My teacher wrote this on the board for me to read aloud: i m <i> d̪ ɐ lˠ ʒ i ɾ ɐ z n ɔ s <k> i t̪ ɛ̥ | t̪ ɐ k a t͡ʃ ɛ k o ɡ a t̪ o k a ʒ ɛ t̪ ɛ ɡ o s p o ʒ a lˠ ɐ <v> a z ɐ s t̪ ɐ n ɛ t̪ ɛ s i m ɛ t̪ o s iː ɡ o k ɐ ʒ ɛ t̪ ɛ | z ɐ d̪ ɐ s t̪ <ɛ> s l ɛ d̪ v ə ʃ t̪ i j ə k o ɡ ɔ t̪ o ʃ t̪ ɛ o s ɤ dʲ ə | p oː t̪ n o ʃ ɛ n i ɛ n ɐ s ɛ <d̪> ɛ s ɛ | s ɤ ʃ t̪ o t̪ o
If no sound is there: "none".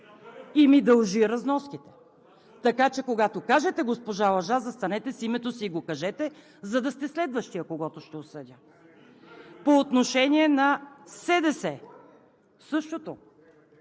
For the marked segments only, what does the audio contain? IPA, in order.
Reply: i, k, ʒ, ɛ, d̪

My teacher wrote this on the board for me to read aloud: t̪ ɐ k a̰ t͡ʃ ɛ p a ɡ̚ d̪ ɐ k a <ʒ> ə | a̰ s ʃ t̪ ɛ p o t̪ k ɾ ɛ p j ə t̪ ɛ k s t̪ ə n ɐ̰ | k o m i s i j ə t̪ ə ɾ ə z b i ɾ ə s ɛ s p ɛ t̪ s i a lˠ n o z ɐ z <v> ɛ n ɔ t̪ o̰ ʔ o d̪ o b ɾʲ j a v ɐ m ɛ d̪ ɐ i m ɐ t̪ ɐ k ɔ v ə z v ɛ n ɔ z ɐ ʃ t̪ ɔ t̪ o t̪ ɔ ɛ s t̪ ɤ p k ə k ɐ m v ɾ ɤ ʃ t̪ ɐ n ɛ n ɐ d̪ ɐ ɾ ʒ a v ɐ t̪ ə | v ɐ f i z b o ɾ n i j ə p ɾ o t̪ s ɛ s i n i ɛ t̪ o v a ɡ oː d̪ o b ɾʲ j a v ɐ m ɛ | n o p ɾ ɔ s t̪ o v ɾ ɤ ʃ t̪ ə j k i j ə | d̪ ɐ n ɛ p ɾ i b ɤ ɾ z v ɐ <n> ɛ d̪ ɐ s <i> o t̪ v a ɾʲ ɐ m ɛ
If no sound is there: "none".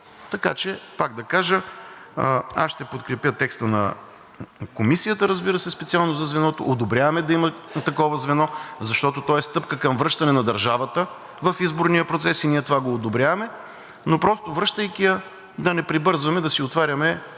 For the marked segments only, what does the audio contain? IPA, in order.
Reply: ʒ, v, m, i

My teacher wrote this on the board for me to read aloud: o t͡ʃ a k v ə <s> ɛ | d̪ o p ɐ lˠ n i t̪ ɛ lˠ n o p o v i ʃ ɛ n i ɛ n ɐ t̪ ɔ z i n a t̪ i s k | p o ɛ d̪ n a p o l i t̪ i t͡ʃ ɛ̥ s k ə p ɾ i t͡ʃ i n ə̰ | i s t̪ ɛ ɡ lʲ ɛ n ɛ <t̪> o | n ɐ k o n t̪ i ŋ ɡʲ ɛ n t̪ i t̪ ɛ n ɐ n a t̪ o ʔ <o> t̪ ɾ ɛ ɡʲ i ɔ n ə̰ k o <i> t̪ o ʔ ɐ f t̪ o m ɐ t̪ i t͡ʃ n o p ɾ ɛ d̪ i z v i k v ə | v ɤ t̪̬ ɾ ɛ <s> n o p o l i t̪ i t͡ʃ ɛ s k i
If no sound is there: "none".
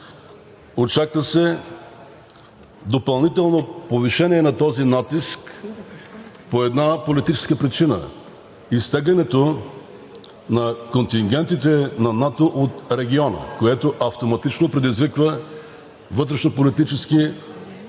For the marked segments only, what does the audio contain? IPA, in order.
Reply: s, t̪, o, ɛ, ʃ

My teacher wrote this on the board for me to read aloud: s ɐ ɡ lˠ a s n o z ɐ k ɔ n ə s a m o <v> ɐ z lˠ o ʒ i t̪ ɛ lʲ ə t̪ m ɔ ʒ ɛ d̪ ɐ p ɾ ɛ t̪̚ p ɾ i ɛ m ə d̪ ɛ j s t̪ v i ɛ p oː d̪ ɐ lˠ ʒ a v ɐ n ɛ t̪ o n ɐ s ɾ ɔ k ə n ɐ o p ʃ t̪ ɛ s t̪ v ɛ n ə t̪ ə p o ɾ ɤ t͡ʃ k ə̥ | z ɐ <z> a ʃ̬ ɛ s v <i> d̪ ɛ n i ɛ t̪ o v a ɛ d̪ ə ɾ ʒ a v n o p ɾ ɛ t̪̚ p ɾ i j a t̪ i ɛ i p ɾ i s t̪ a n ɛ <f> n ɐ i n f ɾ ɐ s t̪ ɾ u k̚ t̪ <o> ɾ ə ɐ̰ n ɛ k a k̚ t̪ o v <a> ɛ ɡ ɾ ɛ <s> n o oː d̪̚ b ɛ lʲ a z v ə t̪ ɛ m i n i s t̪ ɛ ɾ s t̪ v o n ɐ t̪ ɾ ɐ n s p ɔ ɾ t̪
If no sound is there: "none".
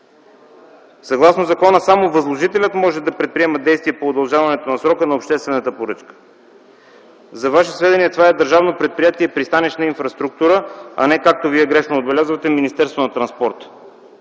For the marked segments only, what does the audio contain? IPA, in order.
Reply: v, v, ɛ, ʃ, u, i, ʃ

